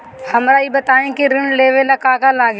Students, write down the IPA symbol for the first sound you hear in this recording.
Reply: h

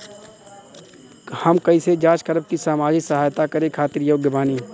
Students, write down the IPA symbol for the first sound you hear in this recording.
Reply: h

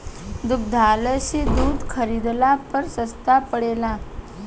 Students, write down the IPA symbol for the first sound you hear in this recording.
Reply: d̪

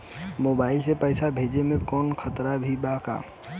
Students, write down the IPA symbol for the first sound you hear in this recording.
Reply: m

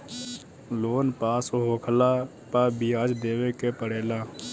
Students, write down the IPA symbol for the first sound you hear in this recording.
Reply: l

